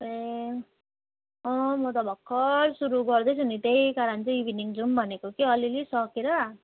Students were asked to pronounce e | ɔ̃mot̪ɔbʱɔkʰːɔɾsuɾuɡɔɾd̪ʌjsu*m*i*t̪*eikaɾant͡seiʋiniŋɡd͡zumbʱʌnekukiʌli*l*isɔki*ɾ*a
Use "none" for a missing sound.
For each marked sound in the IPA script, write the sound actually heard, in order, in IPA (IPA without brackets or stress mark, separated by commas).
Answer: n, t̪, l, ɾ